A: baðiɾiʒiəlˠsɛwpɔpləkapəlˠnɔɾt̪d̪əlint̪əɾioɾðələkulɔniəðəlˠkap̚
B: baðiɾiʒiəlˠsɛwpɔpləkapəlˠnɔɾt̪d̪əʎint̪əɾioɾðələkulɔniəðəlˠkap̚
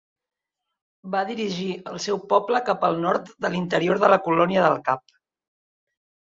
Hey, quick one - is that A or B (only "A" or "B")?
A